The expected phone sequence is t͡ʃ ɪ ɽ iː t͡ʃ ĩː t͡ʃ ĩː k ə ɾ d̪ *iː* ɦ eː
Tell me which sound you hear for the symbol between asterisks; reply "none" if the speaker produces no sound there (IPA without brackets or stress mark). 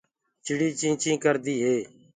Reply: iː